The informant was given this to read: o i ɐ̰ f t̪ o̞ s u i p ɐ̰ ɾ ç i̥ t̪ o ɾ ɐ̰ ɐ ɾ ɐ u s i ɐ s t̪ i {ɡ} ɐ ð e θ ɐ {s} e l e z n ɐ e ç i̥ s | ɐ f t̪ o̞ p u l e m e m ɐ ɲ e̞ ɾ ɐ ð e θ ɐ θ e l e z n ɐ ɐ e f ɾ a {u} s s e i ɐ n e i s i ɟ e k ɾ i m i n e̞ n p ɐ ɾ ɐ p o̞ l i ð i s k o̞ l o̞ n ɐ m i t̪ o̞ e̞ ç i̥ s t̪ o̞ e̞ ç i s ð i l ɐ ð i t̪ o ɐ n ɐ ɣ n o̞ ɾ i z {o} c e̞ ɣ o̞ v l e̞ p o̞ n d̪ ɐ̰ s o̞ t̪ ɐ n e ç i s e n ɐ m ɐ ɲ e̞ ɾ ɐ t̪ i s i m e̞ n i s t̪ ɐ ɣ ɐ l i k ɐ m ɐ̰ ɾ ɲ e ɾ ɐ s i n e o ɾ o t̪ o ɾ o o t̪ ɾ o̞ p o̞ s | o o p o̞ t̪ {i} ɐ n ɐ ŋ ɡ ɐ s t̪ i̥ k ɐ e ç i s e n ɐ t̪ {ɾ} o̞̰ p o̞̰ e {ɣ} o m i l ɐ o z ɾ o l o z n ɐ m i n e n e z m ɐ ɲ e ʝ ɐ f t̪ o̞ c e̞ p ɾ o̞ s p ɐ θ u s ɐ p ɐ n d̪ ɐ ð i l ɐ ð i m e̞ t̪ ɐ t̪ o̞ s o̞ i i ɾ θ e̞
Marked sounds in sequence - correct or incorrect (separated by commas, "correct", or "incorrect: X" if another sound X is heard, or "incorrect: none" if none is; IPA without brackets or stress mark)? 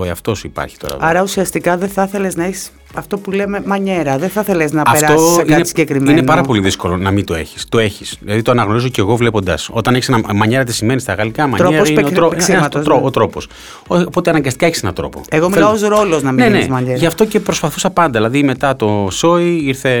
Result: incorrect: k, incorrect: θ, incorrect: o, correct, incorrect: e, correct, correct